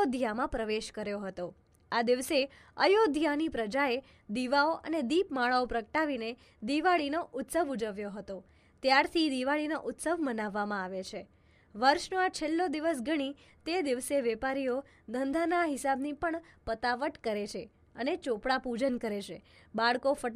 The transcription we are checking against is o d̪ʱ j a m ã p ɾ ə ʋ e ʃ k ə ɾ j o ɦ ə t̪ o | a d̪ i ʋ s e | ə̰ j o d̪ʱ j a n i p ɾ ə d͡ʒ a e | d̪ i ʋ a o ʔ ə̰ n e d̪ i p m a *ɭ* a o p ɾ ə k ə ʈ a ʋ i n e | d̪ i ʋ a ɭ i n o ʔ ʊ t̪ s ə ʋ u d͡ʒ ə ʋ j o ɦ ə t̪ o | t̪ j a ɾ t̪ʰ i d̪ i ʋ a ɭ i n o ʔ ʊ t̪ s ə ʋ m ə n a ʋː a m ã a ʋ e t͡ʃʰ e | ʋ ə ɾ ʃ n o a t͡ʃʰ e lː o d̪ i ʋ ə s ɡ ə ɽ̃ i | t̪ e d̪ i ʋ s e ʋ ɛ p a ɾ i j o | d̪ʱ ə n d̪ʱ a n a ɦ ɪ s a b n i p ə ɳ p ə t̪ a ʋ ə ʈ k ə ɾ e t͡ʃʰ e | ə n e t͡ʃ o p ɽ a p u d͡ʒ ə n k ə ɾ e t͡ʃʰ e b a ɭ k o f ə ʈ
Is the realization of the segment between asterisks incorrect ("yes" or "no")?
no